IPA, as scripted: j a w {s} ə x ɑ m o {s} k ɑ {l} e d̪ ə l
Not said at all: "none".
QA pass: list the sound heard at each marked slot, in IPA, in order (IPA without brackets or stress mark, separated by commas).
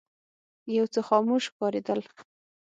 t͡s, ʃ, ɾ